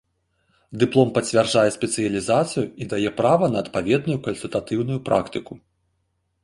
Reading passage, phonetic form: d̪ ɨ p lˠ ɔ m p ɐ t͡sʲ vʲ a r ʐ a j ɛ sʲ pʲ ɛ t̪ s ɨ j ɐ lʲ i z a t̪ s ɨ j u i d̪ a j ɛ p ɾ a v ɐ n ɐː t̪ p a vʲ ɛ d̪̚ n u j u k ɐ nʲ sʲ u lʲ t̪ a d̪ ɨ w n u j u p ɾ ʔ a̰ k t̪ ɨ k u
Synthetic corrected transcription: d̪ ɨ p lˠ ɔ m p ɐ t͡sʲ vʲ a r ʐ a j ɛ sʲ pʲ ɛ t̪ s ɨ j ɐ lʲ i z a t̪ s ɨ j u i d̪ a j ɛ p ɾ a v ɐ n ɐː t̪ p a vʲ ɛ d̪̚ n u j u k ɐ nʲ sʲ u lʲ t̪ a t̪ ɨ w n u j u p ɾ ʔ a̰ k t̪ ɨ k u